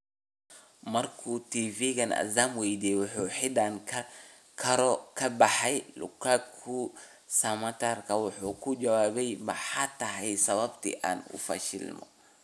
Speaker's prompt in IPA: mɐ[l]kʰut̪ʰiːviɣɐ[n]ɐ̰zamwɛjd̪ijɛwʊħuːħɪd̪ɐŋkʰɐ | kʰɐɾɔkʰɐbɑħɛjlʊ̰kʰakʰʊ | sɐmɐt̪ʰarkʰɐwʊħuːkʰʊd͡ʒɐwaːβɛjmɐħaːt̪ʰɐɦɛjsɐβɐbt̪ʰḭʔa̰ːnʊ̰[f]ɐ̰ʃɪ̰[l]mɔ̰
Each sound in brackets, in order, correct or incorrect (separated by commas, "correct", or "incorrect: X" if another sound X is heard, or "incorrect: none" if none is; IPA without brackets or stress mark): incorrect: r, correct, correct, correct